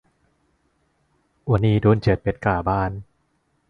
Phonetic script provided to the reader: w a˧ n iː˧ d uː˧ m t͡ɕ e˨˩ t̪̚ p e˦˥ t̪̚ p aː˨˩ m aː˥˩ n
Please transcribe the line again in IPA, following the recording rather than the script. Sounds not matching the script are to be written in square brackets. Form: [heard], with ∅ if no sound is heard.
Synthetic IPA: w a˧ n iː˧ d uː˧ [n] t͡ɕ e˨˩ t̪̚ p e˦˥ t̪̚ [k] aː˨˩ [b] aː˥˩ n